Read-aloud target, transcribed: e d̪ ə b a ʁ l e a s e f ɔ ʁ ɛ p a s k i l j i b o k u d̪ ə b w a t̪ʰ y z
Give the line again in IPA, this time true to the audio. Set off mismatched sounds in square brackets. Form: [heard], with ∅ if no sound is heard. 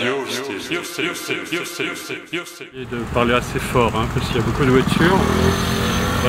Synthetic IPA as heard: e d̪ ə [p] a ʁ l e a s e f ɔ ʁ [ɛ̃] p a s k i l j [a] b o k u d̪ ə [v] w a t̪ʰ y [ʁ]

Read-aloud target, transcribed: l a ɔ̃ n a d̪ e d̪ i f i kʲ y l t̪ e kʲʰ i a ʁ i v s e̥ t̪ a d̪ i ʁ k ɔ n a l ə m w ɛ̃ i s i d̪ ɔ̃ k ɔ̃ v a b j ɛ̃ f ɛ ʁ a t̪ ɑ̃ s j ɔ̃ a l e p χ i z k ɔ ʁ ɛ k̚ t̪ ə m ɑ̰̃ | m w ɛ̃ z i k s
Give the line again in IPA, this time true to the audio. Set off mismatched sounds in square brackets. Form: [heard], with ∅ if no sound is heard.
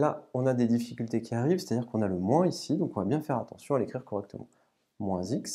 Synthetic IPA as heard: l a ɔ̃ n a d̪ e d̪ i f i kʲ y l t̪ e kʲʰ i a ʁ i v s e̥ t̪ a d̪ i ʁ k [ɔ̃] n a l ə m w ɛ̃ i s i d̪ ɔ̃ k ɔ̃ v a b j ɛ̃ f ɛ ʁ a t̪ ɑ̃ s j ɔ̃ a l e [k] χ i [ʁ] k ɔ ʁ ɛ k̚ t̪ ə m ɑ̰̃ | m w ɛ̃ z i k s

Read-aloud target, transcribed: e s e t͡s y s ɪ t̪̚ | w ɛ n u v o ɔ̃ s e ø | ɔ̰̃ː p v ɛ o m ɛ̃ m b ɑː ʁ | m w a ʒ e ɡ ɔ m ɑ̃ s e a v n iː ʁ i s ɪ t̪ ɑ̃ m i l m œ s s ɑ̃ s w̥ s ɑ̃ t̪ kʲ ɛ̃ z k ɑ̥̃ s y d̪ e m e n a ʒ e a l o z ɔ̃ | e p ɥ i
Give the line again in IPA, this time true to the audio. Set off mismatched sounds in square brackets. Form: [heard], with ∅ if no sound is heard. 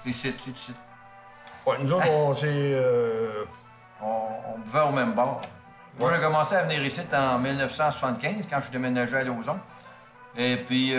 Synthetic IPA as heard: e s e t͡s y s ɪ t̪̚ | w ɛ n u [z] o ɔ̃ s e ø | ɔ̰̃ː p v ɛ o m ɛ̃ m b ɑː ʁ | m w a ʒ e [k] ɔ m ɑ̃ s e a v n iː ʁ i s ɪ t̪ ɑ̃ m i l [n] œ [f] s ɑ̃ s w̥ s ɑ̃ t̪ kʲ ɛ̃ z k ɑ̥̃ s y d̪ e m e n a ʒ e a l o z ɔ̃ | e p ɥ i

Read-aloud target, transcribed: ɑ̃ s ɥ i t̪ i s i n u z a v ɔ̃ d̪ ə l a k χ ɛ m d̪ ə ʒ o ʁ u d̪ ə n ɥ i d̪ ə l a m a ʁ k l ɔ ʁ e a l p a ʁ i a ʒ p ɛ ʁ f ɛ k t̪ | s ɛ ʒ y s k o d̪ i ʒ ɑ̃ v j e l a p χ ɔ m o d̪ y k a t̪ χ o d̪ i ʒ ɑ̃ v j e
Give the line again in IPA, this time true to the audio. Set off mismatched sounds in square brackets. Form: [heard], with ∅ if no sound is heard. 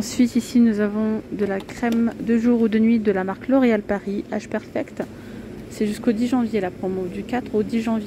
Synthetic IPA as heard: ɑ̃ s ɥ i t̪ i s i n u z a v ɔ̃ d̪ ə l a k χ ɛ m d̪ ə ʒ [u] ʁ u d̪ ə n ɥ i d̪ ə l a m a ʁ k l ɔ ʁ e a l p a ʁ i a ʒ p ɛ ʁ f ɛ k t̪ | s ɛ ʒ y s k o d̪ i ʒ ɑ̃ v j e l a p χ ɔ m o d̪ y k a t̪ χ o d̪ i ʒ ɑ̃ v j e

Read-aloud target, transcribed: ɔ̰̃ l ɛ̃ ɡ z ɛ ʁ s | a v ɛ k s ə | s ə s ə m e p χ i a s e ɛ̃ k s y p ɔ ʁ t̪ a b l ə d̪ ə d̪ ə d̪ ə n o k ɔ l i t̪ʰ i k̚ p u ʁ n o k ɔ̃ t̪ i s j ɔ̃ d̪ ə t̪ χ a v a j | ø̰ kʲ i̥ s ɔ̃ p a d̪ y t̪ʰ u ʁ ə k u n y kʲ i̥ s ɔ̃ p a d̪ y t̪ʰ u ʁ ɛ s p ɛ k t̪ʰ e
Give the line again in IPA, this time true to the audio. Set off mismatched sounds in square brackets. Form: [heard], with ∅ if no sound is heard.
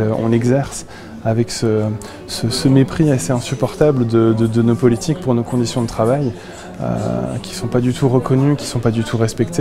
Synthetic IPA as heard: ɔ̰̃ l [ɛ] ɡ z ɛ ʁ s | a v ɛ k s ə | s ə s ə m e p χ i a s e ɛ̃ [∅] s y p ɔ ʁ t̪ a b l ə d̪ ə d̪ ə d̪ ə n o [p] ɔ l i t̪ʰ i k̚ p u ʁ n o k ɔ̃ [d̪] i s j ɔ̃ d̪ ə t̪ χ a v a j | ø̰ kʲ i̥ s ɔ̃ p a d̪ y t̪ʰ u ʁ ə k [ɔ] n y kʲ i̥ s ɔ̃ p a d̪ y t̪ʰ u ʁ ɛ s p ɛ k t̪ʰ e

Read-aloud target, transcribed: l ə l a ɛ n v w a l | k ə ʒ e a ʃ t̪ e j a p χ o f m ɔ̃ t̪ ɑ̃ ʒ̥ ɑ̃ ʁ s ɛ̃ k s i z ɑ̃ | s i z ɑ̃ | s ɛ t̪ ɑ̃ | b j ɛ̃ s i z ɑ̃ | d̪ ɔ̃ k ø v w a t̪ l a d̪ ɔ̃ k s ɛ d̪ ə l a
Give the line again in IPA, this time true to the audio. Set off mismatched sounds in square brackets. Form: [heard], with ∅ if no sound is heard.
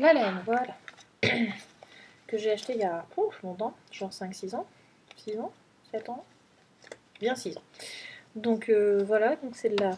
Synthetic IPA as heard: l [a] l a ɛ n v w a l | k ə ʒ e a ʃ t̪ e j a p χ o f m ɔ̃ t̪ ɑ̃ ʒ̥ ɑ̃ ʁ s ɛ̃ k s i z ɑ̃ | s i z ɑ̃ | s ɛ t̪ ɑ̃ | b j ɛ̃ s i z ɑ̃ | d̪ ɔ̃ k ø v w a [∅] l a d̪ ɔ̃ k s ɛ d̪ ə l a

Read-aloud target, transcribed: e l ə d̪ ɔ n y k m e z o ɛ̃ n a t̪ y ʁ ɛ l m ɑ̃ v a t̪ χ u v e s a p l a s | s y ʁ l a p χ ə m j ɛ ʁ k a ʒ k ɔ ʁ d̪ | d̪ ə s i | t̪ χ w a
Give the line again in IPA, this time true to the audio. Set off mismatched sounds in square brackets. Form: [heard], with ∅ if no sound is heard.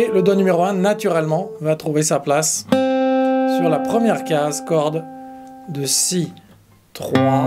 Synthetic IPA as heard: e l ə d̪ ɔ n y [∅] m e [ʁ] o ɛ̃ n a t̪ y ʁ ɛ l m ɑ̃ v a t̪ χ u v e s a p l a s | s y ʁ l a p χ ə m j ɛ ʁ k a [z] k ɔ ʁ d̪ | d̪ ə s i | t̪ χ w a

